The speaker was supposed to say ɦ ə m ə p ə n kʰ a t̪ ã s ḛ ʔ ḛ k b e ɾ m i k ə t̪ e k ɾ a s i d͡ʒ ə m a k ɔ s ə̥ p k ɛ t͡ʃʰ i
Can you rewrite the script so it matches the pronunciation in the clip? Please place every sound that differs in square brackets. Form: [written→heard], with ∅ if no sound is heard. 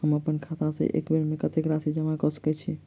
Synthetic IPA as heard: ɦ ə m ə p ə n kʰ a t̪ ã s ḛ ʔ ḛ k b e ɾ m [i→e] k ə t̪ e k ɾ a s i d͡ʒ ə m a k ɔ s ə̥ [p→∅] k ɛ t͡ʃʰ i